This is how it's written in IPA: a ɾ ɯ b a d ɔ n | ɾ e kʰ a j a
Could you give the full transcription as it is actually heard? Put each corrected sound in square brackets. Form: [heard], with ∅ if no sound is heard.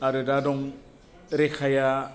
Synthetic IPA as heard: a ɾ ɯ [d] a d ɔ [ŋ] | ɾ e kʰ a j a